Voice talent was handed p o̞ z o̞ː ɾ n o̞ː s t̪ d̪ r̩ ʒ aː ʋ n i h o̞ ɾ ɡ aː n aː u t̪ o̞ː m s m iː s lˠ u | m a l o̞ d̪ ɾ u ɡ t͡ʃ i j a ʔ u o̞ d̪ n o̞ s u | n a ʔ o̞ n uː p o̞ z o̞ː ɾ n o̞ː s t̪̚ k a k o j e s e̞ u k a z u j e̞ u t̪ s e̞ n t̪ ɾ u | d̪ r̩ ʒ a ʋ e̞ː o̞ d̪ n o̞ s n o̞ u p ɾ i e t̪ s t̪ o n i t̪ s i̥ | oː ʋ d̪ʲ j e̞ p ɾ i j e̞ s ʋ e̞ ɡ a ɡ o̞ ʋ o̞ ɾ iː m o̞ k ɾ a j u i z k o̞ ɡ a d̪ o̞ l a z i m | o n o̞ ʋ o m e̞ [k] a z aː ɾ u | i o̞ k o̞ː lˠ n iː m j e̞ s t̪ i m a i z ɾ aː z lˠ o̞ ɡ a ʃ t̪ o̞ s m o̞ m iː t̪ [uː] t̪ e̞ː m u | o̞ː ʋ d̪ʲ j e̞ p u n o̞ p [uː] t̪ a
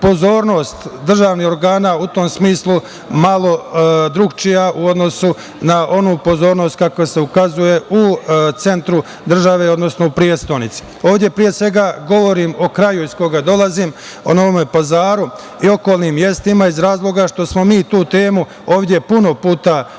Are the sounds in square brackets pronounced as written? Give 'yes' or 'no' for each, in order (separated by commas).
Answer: no, yes, yes